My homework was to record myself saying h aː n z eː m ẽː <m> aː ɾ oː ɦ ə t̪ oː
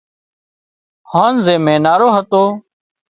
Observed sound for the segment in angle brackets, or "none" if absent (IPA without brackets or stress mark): n